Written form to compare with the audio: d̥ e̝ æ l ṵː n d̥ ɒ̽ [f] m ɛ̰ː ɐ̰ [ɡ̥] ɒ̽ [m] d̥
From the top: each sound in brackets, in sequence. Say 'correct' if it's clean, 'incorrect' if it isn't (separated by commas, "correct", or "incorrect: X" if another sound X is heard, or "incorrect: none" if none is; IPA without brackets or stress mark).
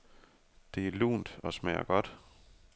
incorrect: s, correct, incorrect: none